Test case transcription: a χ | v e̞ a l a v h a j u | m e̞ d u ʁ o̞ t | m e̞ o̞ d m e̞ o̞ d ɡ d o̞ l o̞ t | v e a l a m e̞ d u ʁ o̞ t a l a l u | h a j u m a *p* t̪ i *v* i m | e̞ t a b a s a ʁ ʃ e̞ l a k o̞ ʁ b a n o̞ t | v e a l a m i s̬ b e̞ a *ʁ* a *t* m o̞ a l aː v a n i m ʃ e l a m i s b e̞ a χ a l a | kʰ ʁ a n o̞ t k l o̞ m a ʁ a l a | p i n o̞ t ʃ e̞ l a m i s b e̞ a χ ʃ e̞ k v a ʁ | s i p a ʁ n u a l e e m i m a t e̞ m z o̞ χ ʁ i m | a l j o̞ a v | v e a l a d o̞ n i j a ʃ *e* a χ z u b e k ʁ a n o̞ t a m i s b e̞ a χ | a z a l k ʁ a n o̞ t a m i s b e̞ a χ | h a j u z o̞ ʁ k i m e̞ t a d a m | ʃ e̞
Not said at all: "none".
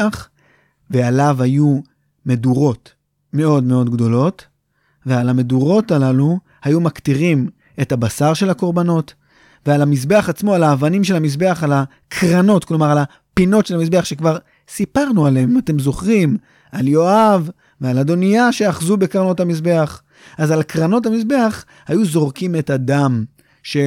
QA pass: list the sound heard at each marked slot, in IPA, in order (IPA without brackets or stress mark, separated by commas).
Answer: k, ʁ, χ, t͡s, e